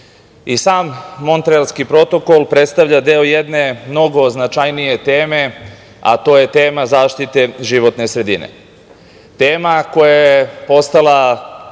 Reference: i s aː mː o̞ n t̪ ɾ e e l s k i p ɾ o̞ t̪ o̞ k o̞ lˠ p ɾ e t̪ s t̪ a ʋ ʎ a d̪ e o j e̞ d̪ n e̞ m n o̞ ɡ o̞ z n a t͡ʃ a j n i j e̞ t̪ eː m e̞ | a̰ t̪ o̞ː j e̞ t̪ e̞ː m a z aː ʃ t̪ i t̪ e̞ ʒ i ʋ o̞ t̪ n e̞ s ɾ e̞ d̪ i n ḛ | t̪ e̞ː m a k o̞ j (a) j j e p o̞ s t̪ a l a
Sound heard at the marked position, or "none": a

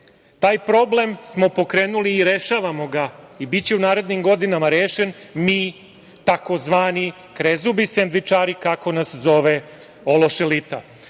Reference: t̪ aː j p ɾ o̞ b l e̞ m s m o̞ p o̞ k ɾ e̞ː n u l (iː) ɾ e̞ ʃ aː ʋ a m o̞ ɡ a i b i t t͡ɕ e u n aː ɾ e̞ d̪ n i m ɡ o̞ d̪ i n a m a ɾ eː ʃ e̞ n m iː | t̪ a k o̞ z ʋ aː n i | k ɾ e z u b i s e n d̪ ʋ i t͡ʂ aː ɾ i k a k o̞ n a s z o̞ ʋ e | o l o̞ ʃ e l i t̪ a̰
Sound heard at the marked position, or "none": iː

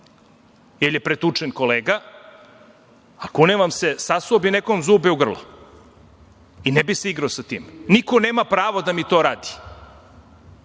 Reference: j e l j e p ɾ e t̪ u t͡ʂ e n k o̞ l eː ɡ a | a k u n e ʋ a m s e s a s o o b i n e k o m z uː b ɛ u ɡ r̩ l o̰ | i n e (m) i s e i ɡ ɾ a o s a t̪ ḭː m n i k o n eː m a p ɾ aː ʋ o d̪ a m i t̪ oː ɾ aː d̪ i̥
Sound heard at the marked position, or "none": b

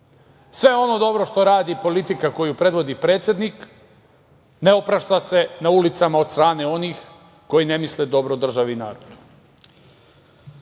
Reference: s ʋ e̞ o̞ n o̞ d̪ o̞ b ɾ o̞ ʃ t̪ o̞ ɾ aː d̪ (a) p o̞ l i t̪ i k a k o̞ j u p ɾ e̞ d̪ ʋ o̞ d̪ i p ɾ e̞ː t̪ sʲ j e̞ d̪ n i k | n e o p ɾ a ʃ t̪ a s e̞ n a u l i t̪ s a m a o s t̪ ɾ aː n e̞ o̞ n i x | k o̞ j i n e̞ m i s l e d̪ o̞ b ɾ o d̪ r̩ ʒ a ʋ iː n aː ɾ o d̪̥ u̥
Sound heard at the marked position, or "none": i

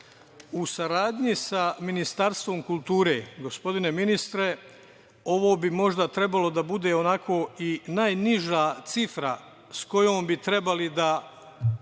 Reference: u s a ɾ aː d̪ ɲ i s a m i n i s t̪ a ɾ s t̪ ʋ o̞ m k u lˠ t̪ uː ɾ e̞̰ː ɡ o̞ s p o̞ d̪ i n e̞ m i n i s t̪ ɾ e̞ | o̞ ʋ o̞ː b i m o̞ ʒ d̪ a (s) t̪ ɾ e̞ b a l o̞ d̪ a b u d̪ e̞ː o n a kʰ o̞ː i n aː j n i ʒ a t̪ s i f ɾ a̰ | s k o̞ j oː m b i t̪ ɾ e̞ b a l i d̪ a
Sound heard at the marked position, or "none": none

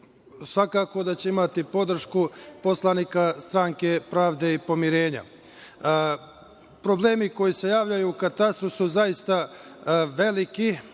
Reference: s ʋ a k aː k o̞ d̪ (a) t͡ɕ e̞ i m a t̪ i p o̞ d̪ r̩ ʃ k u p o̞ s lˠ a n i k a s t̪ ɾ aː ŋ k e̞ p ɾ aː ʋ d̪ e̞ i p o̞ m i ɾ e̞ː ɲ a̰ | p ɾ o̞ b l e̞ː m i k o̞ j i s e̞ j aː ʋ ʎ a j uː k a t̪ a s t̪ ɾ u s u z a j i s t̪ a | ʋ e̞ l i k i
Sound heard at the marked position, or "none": a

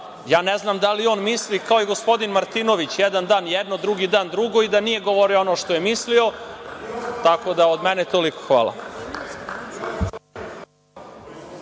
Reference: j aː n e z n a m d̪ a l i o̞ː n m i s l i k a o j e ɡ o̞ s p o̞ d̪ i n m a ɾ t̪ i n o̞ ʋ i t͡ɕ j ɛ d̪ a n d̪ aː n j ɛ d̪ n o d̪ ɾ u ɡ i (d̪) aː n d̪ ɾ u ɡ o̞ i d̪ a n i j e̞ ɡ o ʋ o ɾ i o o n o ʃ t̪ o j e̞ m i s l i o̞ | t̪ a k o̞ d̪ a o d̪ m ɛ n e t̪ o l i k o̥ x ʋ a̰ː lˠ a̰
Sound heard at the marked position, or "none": d̪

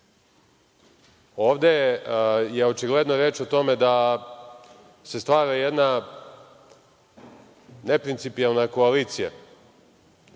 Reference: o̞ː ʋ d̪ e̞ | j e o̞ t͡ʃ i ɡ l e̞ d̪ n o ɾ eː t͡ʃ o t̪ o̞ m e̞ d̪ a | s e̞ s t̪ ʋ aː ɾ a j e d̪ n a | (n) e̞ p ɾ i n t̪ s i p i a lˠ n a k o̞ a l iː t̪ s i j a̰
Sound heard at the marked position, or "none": n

